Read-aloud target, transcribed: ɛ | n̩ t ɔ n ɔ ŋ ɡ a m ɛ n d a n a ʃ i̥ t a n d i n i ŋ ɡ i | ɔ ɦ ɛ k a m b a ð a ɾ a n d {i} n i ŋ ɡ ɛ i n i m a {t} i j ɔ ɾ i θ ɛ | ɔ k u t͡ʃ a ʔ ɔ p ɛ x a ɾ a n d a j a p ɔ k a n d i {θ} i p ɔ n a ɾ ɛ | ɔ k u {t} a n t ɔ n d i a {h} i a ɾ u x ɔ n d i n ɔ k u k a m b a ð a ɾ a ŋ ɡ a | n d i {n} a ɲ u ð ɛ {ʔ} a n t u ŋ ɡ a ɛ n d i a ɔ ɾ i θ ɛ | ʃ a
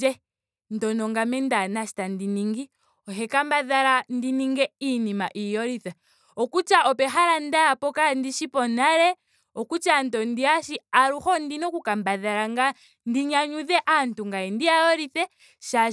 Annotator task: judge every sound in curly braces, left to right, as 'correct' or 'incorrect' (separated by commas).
correct, incorrect, incorrect, incorrect, incorrect, incorrect, correct